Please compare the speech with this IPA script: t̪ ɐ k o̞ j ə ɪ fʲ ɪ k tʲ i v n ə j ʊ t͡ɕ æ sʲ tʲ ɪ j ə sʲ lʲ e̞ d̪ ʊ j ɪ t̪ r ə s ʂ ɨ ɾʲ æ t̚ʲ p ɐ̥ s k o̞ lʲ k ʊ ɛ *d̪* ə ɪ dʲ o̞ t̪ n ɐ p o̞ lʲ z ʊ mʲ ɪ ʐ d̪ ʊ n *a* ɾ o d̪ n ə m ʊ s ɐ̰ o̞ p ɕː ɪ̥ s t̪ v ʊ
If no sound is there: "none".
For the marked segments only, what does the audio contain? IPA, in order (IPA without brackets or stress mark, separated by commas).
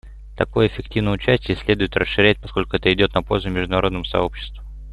t̪, ɐ